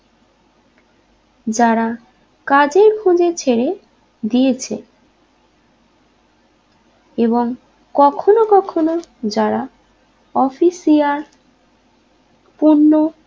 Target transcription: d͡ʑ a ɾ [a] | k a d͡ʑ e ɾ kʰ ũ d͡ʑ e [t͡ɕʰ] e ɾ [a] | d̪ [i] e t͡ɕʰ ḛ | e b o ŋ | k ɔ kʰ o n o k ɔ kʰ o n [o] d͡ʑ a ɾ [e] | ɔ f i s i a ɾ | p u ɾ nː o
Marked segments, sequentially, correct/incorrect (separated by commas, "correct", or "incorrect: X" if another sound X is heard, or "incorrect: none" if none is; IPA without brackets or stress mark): correct, correct, incorrect: e, correct, correct, incorrect: a